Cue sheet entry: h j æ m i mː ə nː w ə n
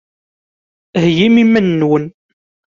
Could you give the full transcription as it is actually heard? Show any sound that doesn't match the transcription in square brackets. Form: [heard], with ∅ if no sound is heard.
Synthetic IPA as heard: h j [i] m i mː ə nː w ə n